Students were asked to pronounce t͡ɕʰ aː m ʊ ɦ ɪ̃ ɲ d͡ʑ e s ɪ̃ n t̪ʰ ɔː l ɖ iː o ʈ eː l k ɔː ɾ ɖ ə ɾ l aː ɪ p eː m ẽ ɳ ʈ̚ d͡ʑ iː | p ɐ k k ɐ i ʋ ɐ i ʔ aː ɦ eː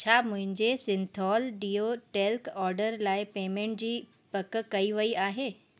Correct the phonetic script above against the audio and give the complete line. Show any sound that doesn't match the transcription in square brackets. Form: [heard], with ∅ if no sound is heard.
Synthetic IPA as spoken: t͡ɕʰ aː m [ʊ̃] ɦ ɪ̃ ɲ d͡ʑ e s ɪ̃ n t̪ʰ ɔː l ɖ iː o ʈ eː l k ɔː ɾ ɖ ə ɾ l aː ɪ p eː m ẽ ɳ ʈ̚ d͡ʑ iː | p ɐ k k ɐ i ʋ ɐ i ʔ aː ɦ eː